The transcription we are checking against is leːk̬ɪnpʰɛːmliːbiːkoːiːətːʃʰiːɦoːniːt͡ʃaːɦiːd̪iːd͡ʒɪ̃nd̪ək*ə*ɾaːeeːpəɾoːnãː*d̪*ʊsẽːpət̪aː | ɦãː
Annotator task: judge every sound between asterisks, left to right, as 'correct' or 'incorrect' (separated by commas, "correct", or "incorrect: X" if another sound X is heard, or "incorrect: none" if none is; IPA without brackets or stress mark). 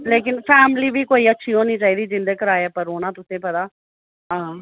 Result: correct, incorrect: t̪